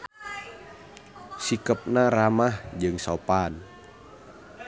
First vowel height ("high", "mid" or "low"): high